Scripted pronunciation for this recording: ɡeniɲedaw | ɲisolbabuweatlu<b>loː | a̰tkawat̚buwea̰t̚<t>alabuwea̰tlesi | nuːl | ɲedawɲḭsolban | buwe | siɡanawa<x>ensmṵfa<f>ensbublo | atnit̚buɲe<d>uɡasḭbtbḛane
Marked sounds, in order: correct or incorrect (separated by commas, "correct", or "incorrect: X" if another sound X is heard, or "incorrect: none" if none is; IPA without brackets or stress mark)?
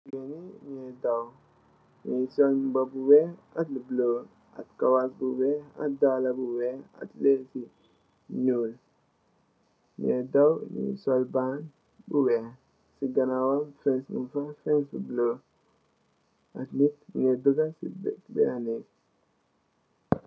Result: correct, incorrect: d, incorrect: f, correct, correct